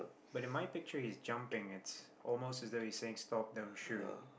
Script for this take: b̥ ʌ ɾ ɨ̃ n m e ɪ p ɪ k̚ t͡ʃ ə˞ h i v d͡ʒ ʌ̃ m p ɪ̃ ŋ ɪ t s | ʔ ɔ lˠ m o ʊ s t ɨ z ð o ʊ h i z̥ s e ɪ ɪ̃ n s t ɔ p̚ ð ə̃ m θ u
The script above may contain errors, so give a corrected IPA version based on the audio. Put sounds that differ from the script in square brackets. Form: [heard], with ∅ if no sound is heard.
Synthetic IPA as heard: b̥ ʌ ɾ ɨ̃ n m [a] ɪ p ɪ k̚ t͡ʃ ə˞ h i [z] d͡ʒ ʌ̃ m p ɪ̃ ŋ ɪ t s | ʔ ɔ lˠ m o ʊ s t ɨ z ð o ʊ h i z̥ s e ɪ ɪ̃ [ŋ] s t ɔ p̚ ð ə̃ m [ʃ] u